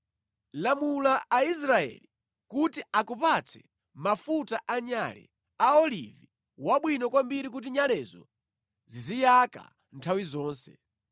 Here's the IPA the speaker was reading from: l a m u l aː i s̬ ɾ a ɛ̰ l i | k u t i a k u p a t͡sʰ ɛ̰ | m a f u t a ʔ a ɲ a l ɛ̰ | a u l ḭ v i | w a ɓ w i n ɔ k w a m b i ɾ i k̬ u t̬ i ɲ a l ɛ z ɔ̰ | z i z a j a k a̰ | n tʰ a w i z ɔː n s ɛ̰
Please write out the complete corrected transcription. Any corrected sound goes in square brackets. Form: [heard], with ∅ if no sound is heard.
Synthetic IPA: l a m u l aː i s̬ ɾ a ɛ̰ l i | k u t i a k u p a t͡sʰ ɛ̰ | m a f u t a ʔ a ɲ a l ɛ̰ | a [ɔ] l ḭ v i | w a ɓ w i n ɔ k w a m b i ɾ i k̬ u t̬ i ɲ a l ɛ z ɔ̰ | z i z [i] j a k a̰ | n tʰ a w i z ɔː n s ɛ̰